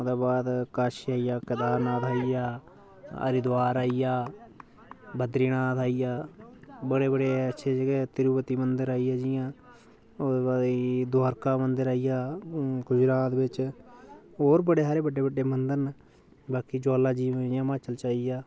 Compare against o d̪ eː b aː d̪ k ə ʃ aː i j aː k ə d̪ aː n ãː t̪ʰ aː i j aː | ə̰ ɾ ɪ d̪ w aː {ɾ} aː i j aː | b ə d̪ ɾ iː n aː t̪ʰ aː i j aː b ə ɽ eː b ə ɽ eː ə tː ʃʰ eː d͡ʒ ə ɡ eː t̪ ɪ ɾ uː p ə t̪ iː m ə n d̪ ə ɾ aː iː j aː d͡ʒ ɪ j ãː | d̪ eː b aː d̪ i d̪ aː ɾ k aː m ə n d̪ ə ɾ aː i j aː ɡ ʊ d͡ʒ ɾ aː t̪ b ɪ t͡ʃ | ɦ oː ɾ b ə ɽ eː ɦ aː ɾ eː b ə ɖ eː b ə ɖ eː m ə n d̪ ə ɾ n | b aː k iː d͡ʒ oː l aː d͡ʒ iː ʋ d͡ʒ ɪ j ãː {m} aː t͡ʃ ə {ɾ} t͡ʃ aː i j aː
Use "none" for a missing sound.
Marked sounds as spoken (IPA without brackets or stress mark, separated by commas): ɾ, m, l